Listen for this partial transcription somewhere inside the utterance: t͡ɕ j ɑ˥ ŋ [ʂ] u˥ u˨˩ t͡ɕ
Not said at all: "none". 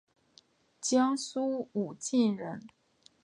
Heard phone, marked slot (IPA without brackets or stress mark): s